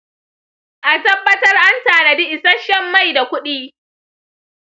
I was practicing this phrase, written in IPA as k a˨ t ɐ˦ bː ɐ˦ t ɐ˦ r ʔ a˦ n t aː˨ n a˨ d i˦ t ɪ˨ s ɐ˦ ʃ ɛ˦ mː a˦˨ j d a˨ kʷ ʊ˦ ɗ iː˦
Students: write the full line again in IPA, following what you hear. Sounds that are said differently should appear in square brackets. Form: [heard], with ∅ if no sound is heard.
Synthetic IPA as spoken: [ʔ] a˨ t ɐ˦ bː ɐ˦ t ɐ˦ r ʔ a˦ n t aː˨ n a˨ d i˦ [ʔ] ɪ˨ s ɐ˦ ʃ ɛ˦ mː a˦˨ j d a˨ kʷ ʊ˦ ɗ iː˦